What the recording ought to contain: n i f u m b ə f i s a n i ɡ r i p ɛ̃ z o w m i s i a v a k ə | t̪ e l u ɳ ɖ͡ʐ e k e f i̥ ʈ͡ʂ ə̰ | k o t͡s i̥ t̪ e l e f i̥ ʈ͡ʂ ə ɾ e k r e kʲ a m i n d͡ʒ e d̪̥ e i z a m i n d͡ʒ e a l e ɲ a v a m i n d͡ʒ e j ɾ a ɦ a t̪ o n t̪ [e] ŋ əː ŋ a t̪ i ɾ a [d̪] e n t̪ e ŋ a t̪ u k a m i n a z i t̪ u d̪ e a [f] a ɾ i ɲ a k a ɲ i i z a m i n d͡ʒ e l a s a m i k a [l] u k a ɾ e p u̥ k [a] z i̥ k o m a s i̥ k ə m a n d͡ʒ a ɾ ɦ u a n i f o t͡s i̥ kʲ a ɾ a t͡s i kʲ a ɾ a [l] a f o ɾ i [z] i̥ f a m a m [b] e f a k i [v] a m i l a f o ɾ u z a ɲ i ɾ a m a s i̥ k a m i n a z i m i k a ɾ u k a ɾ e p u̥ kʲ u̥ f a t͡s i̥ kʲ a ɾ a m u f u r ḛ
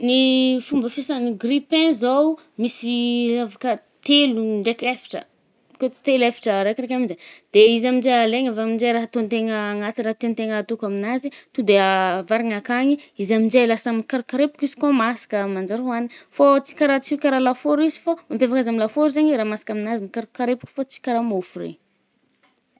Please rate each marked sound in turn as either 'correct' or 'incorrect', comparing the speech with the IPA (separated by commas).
correct, incorrect, incorrect, incorrect, incorrect, correct, correct, incorrect, incorrect